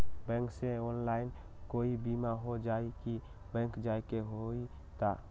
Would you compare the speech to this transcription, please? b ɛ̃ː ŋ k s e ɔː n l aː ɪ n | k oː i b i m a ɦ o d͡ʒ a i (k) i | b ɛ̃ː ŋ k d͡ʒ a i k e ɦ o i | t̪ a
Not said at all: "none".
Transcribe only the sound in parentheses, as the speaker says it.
k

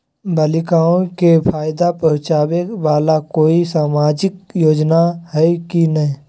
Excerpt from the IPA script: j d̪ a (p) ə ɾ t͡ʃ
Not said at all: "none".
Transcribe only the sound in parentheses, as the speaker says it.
p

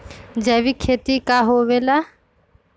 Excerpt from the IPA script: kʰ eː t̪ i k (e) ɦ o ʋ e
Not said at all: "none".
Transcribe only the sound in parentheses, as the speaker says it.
a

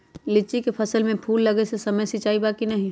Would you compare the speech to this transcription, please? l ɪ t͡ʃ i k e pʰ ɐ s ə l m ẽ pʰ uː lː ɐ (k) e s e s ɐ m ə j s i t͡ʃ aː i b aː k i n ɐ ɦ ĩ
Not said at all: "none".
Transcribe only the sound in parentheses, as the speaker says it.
ɡ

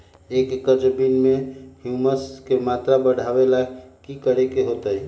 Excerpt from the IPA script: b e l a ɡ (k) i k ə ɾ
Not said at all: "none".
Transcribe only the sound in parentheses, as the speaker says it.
k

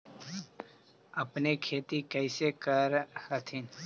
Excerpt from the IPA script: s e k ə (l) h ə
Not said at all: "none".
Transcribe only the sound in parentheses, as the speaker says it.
ɾ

